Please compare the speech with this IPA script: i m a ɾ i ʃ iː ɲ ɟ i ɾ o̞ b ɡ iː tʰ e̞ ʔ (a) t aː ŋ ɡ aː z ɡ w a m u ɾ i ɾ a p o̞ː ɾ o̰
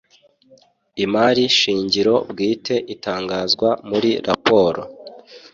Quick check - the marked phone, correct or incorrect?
incorrect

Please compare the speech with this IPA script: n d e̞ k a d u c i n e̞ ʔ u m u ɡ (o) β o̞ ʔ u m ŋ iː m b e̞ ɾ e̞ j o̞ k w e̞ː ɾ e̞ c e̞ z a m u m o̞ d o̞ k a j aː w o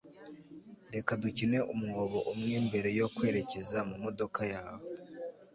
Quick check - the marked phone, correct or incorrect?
correct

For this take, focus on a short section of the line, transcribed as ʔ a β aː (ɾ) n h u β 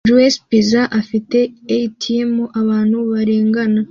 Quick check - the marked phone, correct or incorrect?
incorrect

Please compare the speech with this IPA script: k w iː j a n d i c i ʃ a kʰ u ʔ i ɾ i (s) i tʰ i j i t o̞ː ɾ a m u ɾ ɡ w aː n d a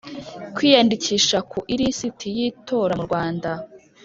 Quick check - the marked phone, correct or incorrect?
correct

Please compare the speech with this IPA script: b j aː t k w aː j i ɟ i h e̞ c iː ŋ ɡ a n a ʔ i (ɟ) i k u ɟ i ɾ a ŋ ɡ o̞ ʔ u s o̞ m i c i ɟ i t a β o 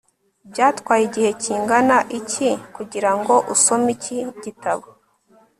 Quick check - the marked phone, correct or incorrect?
incorrect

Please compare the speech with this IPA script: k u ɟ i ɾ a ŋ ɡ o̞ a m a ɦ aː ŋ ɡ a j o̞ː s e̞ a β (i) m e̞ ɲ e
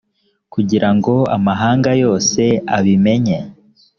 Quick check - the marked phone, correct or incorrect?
correct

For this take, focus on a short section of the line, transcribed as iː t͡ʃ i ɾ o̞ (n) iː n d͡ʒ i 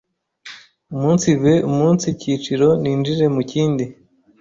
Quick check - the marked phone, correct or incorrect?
correct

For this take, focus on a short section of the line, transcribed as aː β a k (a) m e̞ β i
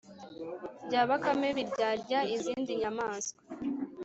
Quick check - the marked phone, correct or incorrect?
correct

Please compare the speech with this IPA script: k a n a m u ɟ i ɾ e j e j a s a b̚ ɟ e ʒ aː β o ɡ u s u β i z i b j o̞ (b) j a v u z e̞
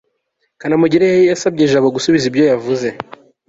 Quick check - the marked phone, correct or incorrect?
incorrect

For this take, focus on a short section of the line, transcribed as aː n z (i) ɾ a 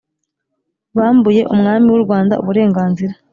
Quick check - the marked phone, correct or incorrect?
correct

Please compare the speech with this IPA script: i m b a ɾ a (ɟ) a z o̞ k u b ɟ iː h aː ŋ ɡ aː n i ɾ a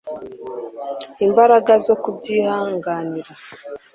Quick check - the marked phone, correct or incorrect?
incorrect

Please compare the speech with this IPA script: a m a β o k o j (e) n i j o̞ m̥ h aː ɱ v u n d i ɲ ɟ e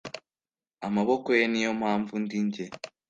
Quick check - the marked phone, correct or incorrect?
correct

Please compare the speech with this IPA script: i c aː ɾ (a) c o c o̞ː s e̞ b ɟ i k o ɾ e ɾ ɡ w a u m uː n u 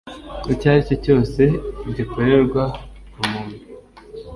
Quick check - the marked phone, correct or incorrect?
incorrect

